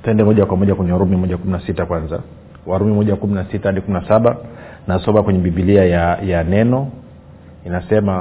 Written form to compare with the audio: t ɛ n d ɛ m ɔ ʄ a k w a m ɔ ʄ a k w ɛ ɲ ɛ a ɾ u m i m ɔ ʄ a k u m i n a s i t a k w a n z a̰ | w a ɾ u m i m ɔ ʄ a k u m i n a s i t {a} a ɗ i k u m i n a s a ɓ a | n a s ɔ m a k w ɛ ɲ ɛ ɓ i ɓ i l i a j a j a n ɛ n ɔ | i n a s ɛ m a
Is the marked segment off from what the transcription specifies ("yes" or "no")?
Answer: no